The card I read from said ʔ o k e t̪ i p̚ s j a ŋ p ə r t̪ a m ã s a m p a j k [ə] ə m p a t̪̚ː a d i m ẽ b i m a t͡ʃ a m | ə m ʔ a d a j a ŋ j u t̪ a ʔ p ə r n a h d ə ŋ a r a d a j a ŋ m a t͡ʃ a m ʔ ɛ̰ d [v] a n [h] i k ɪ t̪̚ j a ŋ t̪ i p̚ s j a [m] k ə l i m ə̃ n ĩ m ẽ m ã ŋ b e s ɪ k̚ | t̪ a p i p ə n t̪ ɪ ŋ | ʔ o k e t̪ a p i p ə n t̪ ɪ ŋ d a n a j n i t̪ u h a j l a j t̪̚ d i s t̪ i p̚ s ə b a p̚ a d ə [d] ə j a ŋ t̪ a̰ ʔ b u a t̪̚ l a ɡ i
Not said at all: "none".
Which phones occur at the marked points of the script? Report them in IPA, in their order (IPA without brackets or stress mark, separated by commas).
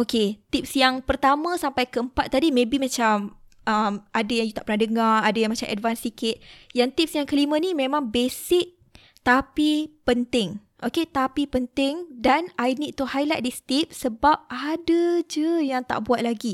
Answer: ə, v, s, ŋ, d͡ʒ